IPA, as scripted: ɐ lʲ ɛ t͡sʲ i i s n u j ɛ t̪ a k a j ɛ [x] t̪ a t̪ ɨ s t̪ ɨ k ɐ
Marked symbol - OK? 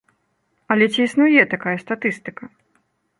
no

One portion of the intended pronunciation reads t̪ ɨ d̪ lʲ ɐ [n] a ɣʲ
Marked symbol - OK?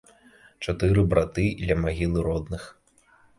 no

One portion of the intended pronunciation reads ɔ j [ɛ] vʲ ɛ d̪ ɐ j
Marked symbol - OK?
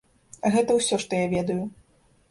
no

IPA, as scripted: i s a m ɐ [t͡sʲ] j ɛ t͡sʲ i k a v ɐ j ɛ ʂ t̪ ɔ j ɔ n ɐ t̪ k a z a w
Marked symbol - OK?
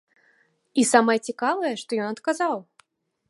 no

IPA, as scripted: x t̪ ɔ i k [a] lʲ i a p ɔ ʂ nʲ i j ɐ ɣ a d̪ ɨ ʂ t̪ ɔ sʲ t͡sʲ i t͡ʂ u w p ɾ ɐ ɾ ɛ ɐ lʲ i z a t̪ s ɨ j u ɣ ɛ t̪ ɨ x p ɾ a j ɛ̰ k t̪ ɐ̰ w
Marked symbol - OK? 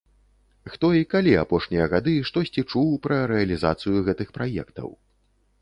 yes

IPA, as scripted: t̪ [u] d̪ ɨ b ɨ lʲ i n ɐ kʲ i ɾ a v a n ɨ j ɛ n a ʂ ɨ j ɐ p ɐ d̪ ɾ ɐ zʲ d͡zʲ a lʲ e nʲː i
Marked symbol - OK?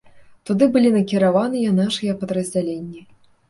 yes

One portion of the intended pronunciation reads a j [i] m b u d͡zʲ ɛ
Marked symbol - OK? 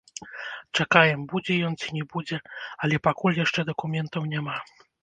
no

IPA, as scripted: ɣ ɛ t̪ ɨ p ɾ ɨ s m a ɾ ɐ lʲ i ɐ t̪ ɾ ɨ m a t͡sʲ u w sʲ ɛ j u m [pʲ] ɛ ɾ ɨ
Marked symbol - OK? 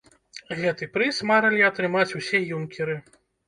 no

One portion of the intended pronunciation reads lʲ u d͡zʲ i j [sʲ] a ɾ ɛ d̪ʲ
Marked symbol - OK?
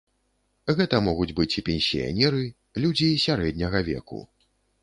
yes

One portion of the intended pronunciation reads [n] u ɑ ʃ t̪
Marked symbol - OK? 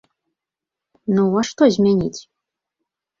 yes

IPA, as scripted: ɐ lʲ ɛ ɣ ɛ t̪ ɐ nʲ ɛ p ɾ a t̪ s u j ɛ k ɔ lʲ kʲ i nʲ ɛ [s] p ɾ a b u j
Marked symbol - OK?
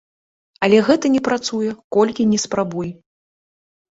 yes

